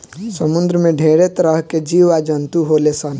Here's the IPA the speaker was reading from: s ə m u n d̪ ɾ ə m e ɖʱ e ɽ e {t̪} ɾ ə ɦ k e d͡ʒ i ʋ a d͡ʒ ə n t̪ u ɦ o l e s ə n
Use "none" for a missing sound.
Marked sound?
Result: t̪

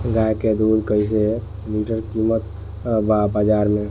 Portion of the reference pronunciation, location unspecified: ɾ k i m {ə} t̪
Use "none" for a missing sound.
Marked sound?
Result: ə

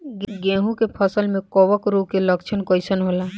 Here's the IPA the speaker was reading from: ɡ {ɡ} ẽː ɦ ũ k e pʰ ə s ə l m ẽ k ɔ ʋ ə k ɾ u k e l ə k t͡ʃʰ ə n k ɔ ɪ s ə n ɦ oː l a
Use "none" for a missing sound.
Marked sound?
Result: ɡ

